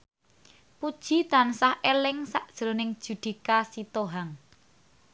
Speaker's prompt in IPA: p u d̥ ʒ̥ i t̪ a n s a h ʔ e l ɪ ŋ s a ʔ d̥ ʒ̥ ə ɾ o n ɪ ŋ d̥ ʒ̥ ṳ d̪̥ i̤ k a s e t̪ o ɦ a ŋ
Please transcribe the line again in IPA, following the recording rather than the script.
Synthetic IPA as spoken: p u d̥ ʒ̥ i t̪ a n s a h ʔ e l ɪ ŋ s a ʔ d̥ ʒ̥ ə ɾ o n ɪ ŋ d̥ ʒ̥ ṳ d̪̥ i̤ k a s i t̪ o ɦ a ŋ